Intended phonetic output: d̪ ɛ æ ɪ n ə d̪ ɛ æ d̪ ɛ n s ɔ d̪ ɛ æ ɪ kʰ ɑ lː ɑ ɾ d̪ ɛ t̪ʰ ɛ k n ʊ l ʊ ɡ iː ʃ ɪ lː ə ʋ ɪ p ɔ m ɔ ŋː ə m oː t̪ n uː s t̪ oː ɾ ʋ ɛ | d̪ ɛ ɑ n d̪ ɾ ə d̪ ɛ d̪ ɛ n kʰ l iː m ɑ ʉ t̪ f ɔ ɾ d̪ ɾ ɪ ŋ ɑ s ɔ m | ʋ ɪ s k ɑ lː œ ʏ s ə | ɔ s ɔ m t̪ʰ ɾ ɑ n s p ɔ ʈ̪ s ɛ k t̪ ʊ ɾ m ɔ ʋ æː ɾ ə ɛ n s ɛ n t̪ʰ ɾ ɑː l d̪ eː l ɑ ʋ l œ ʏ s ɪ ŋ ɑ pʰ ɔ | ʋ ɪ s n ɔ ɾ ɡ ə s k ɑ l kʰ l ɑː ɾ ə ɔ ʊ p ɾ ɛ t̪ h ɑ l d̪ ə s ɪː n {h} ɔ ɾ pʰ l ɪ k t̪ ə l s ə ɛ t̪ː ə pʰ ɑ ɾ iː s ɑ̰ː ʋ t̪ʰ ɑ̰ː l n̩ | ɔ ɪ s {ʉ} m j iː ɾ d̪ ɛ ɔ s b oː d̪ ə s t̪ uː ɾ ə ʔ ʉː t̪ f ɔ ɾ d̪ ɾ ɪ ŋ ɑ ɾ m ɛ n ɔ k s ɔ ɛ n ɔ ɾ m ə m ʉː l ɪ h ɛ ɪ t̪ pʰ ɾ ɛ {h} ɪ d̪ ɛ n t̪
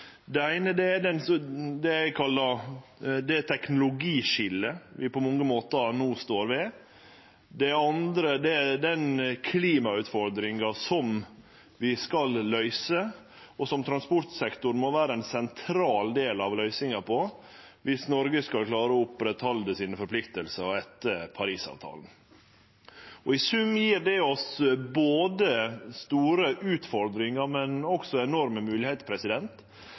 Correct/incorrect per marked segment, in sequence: incorrect: f, correct, incorrect: s

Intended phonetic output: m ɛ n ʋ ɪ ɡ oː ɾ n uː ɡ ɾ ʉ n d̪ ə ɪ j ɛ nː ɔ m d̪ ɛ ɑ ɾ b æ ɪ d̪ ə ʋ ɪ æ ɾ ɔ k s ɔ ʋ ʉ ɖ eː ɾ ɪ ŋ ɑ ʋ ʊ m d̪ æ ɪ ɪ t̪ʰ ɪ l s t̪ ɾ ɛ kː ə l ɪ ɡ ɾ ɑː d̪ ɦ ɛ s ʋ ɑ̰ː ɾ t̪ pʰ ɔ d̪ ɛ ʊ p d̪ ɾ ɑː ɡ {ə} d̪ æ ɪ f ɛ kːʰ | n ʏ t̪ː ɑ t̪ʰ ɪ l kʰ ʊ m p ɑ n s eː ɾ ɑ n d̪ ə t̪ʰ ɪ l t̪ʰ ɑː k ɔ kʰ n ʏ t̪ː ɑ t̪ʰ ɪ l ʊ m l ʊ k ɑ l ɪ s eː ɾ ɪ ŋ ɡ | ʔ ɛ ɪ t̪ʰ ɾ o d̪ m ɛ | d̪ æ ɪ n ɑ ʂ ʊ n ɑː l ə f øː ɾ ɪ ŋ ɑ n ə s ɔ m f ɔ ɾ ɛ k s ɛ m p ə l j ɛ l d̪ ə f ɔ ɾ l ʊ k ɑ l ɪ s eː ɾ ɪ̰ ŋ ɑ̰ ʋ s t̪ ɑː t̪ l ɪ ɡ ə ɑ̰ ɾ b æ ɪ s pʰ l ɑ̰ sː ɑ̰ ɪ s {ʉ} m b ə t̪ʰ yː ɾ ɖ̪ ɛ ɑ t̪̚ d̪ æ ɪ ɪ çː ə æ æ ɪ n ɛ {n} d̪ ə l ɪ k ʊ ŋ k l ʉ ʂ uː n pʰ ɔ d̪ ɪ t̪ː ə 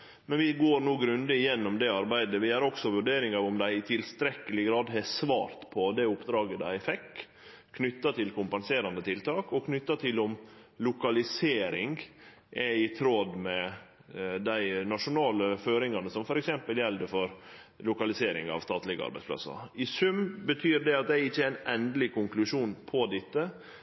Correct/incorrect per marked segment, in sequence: correct, correct, correct

